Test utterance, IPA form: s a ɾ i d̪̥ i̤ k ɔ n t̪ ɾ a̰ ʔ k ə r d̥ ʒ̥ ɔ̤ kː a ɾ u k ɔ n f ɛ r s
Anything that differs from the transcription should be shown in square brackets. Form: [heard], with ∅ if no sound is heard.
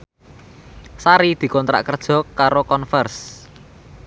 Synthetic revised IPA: s a ɾ i d̪̥ i̤ k ɔ n t̪ ɾ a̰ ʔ k ə r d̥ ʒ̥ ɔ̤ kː a ɾ [o] k ɔ n f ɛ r s